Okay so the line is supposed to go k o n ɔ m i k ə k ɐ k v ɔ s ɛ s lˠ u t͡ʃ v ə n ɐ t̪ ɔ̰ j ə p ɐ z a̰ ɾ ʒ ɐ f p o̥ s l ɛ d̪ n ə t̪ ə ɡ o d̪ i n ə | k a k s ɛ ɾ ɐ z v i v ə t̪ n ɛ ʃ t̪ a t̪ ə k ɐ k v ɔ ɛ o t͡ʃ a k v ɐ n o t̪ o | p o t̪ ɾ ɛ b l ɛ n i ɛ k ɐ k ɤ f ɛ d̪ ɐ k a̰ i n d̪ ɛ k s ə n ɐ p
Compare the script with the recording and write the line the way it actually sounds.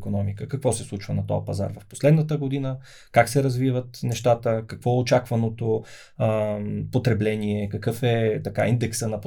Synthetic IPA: k o n ɔ m i k ə k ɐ k v ɔ s ɛ s lˠ u t͡ʃ v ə n ɐ t̪ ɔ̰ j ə p ɐ z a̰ ɾ v ɐ f p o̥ s l ɛ d̪ n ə t̪ ə ɡ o d̪ i n ə | k a k s ɛ ɾ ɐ z v i v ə t̪ n ɛ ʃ t̪ a t̪ ə k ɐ k v ɔ ɛ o t͡ʃ a k v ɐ n o t̪ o | p o t̪ ɾ ɛ b l ɛ n i ɛ k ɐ k ɤ f ɛ t̪ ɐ k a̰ i n d̪ ɛ k s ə n ɐ p